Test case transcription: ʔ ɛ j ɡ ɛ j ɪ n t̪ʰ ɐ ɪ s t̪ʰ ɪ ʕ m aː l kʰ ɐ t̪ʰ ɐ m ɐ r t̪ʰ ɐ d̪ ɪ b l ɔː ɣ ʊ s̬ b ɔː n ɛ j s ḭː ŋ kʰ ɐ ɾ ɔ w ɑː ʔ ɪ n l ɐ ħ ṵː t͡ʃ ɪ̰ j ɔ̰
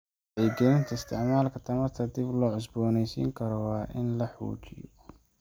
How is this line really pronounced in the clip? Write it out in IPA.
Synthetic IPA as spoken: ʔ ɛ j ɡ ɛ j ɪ n t̪ʰ ɐ ɪ s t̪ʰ ɪ ʕ m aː l kʰ ɐ t̪ʰ ɐ m ɐ r t̪ʰ ɐ d̪ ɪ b l ɔː ʕ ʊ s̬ b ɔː n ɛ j s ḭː ŋ kʰ ɐ ɾ ɔ w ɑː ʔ ɪ n l ɐ ħ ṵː t͡ʃ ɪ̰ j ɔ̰